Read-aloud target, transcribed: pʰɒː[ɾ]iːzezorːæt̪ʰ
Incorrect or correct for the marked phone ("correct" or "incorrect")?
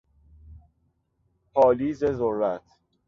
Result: incorrect